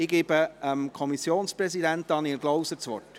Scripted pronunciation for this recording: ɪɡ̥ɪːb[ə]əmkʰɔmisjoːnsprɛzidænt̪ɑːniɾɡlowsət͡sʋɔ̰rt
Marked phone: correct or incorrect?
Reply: correct